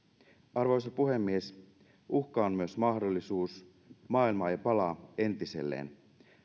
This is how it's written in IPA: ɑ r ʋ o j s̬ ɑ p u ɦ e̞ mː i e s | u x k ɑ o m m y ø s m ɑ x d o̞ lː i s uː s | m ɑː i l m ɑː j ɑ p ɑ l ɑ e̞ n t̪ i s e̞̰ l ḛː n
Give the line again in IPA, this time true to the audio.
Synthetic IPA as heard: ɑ r ʋ o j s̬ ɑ p u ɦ e̞ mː i e s | u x k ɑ o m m y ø s m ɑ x d o̞ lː i s uː s | m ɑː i l m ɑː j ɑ p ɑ l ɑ e̞ n t̪ i s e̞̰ lː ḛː n

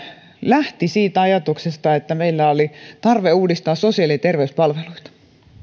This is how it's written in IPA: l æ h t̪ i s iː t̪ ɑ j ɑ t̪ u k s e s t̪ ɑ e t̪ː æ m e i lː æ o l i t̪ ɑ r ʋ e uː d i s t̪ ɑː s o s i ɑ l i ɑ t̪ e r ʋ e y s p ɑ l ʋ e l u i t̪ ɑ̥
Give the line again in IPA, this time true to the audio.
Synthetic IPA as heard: l æ h t̪ i s iː t̪ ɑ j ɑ t̪ u k s e s t̪ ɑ e t̪ː æ m e i lː æ o l i t̪ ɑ r ʋ e uː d i s t̪ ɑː s o s i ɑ l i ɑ t̪ e r ʋ e y s p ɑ l ʋ e l u i t̪ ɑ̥

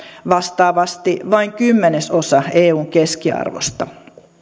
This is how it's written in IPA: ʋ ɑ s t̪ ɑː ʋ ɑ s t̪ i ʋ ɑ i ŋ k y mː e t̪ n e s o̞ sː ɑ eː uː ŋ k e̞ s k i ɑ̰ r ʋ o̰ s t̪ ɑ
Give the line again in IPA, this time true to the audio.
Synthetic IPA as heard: ʋ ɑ s t̪ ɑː ʋ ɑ s t̪ i ʋ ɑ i ŋ k y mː e n e s o̞ s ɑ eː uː ŋ k e̞ s k i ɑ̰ r ʋ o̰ s t̪ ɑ

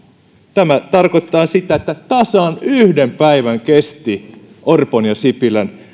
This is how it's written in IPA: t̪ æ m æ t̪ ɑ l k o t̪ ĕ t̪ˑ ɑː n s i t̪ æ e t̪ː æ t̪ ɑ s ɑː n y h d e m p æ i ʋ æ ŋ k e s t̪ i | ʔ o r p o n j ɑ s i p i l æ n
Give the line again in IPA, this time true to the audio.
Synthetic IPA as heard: t̪ æ m æ t̪ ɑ r k o t̪ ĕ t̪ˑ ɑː n s i t̪ æ e t̪ː æ t̪ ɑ s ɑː n y h d e m p æ i ʋ æ ŋ k e s t̪ i | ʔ o r p o n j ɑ s i p i l æ n

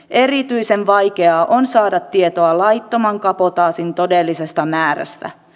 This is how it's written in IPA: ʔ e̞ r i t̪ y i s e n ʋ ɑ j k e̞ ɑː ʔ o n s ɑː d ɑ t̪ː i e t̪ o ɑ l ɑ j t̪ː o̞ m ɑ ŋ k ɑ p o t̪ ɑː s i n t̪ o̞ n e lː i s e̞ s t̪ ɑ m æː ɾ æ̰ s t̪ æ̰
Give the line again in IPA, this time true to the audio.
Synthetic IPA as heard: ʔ e̞ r i t̪ y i s e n ʋ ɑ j k e̞ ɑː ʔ o n s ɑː d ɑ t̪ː i e t̪ o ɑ l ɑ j t̪ː o̞ m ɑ ŋ k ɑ p o t̪ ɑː s i n t̪ o̞ d e lː i s e̞ s t̪ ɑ m æː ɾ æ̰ s t̪ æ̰

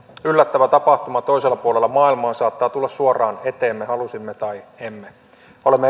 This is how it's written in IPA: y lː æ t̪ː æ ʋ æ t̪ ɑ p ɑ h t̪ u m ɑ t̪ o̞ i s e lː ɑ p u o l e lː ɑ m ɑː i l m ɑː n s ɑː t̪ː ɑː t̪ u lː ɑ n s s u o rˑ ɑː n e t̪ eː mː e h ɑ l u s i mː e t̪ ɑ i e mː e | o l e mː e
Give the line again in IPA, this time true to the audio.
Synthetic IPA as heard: y lː æ t̪ː æ ʋ æ t̪ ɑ p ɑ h t̪ u m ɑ t̪ o̞ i s e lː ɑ p u o l e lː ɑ m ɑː i l m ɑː n s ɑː t̪ː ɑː t̪ u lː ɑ s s u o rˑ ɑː n e t̪ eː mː e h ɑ l u s i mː e t̪ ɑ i e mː e | o l e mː e

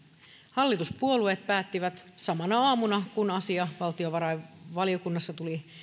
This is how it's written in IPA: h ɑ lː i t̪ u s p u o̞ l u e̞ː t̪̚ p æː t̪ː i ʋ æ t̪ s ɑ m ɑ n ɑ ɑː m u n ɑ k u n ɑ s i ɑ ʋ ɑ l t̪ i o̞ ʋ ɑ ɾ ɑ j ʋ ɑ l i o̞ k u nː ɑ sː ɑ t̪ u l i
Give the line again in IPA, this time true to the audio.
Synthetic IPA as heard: h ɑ lː i t̪ u s p u o̞ l u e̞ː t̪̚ p æː t̪ː i ʋ æ t̪ s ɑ m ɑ n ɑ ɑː m u n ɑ k u n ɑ s i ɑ ʋ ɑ l t̪ i o̞ ʋ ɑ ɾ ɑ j ʋ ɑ l i o̞ k u nː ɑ sː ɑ t̪ u l i

